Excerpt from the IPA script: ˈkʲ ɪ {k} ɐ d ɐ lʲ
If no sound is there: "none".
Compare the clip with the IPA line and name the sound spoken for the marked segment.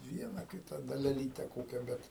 t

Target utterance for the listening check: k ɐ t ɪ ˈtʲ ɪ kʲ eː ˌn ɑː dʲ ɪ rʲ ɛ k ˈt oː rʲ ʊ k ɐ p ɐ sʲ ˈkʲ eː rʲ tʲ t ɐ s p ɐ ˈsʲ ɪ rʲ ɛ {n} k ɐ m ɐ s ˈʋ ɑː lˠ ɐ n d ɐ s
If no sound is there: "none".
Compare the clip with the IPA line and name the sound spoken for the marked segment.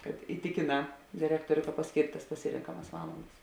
ŋ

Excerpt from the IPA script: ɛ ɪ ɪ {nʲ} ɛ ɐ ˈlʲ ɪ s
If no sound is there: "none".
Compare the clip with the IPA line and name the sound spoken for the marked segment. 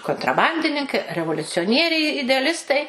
dʲ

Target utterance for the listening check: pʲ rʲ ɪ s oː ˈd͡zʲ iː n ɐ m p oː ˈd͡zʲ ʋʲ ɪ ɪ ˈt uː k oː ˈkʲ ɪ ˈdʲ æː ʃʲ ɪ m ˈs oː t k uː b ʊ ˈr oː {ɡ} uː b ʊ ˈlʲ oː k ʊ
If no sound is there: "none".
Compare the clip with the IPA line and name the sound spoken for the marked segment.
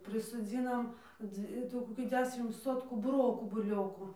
k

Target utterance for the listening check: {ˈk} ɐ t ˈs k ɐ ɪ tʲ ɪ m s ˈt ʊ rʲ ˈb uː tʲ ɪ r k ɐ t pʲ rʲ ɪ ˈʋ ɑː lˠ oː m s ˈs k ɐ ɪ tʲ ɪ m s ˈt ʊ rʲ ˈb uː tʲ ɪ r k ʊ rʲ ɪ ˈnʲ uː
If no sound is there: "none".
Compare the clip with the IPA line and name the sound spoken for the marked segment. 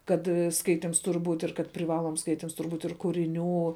k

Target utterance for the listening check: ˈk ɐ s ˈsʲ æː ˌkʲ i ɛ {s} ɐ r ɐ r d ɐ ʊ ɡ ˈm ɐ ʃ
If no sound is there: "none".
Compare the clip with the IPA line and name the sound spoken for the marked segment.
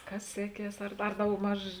s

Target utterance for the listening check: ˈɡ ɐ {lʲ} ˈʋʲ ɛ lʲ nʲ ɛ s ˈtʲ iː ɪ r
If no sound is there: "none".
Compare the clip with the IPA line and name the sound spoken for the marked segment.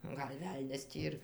lʲ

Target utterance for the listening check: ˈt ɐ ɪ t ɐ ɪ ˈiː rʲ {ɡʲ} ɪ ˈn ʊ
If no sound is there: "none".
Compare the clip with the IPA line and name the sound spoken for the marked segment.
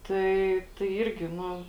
ɡʲ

